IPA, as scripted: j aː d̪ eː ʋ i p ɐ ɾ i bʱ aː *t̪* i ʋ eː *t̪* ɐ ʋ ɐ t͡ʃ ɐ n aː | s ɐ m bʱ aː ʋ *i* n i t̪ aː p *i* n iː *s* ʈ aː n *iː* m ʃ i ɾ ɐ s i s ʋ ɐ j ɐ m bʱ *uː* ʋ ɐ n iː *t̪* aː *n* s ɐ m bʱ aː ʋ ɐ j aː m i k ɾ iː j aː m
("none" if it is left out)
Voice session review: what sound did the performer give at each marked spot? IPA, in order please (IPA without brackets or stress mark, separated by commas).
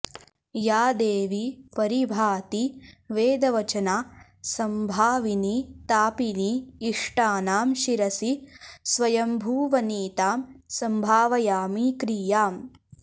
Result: t̪, d̪, i, i, ʂ, aː, uː, t̪, m